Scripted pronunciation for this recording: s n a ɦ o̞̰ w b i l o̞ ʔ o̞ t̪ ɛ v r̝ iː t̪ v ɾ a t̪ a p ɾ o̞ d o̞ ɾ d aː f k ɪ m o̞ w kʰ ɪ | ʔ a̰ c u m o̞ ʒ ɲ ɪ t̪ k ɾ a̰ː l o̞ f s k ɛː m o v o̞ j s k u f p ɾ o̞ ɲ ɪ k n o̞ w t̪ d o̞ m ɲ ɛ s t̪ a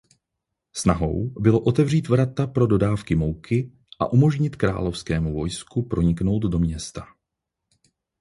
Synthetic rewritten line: s n a ɦ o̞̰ w b ɪ l o̞ ʔ o̞ t̪ ɛ v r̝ iː t̪ v ɾ a t̪ a p ɾ o̞ d o̞ d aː f k ɪ m o̞ w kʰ ɪ | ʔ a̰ ʔ u m o̞ ʒ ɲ ɪ t̪ k ɾ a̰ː l o̞ f s k ɛː m u v o̞ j s k u p ɾ o̞ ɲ ɪ k n o̞ w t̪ d o̞ m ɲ ɛ s t̪ a

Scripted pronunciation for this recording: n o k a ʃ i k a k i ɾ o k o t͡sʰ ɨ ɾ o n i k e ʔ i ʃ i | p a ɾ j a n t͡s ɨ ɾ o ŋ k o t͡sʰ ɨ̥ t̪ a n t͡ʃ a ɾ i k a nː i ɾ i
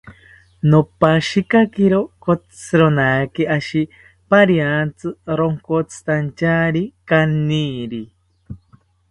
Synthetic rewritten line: n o p a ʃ i k a k i ɾ o k o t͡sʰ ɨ ɾ o n a k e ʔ a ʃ i | p a ɾ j a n t͡s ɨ ɾ o ŋ k o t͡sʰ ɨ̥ t̪ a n t͡ʃ a ɾ i k a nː i ɾ i

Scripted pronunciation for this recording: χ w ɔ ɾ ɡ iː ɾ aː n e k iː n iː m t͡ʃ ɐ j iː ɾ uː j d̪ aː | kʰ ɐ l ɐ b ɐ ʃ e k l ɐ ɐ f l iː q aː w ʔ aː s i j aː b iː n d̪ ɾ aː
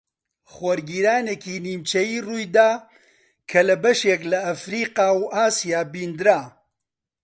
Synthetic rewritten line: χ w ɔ ɾ ɡ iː ɾ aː n e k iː n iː m t͡ʃ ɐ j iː r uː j d̪ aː | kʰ ɐ l ɐ b ɐ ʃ e k l ɐ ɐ f ɾ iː q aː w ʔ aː s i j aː b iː n d̪ ɾ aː

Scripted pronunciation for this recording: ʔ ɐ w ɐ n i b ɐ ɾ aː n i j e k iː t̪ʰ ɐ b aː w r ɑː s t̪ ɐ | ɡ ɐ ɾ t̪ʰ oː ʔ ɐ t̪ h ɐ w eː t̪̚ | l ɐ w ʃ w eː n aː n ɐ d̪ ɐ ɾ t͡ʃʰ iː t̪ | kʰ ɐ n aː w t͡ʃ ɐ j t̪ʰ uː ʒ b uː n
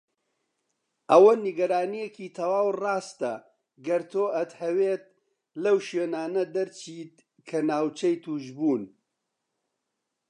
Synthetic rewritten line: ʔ ɐ w ɐ n i ɡ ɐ ɾ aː n i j e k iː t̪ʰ ɐ w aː w r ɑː s t̪ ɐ | ɡ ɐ ɾ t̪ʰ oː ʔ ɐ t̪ h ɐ w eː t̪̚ | l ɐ w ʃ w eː n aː n ɐ d̪ ɐ ɾ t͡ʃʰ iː t̪ | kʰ ɐ n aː w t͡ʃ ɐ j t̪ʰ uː ʒ b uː n

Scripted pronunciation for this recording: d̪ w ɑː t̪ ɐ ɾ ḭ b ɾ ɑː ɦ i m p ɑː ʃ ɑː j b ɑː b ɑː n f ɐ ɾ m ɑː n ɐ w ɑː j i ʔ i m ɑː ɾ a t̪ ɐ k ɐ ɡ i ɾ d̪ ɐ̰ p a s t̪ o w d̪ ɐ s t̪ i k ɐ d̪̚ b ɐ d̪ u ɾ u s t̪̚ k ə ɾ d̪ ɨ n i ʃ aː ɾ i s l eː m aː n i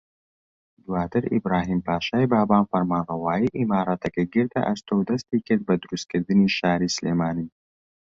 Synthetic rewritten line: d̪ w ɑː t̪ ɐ ɾ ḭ b ɾ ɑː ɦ i m p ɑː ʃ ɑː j b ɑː b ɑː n f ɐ ɾ m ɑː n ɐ w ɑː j i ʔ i m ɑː ɾ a t̪ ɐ k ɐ ɡ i ɾ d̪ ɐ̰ ʔ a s t̪ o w d̪ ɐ s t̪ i k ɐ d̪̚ b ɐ d̪ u ɾ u s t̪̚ k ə ɾ d̪ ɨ n i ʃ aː ɾ i s l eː m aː n i

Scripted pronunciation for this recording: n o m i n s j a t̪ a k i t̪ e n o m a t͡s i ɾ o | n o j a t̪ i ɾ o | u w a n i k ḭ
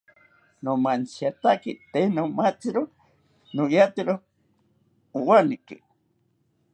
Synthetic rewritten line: n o m a n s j a t̪ a k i t̪ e n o m a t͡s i ɾ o | n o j a t̪ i ɾ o | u w a n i k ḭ

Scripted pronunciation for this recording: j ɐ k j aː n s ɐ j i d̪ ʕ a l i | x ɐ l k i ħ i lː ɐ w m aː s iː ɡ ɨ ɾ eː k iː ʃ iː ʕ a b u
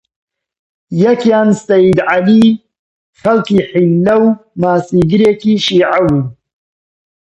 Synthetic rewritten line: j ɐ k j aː n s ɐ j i d̪ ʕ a l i | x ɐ l k i ħ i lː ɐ w m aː s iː ɡ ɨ ɾ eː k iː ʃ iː ʕ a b u

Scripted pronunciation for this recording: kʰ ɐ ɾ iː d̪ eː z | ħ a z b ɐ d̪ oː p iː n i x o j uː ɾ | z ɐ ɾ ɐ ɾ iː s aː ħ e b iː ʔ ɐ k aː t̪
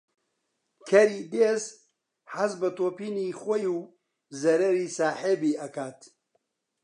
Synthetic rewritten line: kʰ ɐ ɾ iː d̪ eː z | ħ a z b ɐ t̪ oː p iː n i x o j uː | z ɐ ɾ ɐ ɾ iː s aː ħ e b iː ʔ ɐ k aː t̪

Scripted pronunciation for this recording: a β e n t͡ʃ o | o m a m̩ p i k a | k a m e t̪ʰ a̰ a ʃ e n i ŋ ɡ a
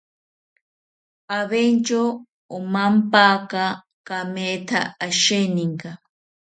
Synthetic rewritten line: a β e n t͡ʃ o | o m a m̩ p a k a | k a m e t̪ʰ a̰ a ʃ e n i ŋ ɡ a

